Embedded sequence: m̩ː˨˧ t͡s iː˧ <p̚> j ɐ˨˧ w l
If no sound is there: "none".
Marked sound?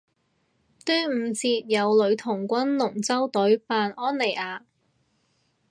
t̚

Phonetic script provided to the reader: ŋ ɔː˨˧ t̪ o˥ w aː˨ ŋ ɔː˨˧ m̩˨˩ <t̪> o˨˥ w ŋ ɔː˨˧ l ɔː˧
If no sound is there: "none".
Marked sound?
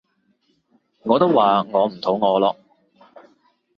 t̪ʰ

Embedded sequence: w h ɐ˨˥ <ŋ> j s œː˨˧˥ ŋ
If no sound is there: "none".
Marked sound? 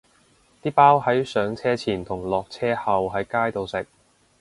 none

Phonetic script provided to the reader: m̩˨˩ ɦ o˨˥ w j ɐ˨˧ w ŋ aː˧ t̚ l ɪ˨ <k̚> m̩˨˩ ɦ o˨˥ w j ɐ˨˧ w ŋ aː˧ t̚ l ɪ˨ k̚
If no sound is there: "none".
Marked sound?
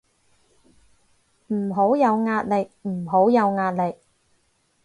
k̚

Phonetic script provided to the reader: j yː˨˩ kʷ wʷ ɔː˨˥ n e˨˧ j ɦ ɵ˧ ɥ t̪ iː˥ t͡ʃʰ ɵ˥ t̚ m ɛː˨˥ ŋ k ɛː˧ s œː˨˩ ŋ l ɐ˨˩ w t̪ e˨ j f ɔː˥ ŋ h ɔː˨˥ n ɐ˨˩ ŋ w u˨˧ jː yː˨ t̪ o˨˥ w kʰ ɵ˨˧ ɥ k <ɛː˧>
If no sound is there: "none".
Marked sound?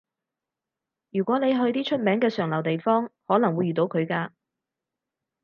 aː˧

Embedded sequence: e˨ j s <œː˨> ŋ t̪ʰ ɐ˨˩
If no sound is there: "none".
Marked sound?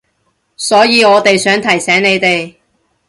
œː˨˥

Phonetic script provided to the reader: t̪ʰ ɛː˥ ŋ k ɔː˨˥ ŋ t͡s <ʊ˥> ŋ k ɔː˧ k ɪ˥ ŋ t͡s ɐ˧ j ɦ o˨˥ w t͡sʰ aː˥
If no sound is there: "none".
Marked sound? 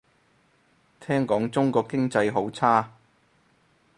ʊ˥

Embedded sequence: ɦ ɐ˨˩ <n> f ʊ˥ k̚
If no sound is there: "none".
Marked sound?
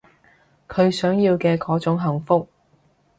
ŋ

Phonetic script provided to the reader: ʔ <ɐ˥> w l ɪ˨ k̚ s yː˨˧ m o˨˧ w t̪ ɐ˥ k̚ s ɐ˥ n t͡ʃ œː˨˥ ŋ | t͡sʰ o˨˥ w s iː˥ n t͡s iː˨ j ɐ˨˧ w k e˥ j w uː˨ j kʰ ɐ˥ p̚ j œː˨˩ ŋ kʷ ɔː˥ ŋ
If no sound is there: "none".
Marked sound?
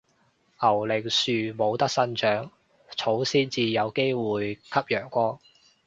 ɐ˨˩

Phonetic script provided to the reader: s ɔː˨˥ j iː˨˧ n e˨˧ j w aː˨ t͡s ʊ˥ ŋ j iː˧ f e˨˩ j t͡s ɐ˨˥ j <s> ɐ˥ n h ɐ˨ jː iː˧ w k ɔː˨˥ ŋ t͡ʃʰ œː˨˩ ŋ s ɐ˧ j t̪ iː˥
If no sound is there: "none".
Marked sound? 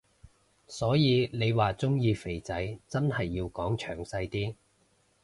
t͡s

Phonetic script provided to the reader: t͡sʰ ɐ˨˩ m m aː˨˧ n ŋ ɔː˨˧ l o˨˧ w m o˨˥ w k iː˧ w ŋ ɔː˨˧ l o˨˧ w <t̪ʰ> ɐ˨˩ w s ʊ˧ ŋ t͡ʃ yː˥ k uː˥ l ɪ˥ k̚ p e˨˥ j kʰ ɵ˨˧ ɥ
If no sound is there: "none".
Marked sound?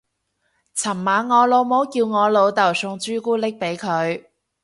t̪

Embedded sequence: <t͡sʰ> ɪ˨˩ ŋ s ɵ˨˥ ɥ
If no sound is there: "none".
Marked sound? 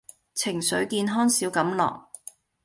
t͡sʰ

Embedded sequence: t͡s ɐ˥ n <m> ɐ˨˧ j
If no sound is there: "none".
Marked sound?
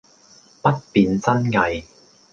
ŋ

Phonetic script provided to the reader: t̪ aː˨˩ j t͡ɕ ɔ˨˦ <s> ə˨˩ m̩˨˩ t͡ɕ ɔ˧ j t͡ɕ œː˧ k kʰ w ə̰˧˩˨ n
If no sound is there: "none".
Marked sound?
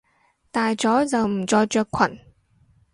z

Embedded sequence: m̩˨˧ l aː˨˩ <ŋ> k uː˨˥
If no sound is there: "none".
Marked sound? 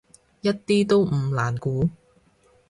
n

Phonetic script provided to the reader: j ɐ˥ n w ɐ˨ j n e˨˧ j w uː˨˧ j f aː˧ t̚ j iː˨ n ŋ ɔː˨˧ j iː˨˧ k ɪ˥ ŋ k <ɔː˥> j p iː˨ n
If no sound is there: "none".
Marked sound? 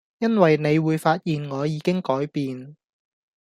ɔː˨˥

